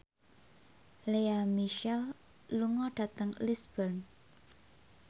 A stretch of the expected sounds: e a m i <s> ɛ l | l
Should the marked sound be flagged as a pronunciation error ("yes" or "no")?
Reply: yes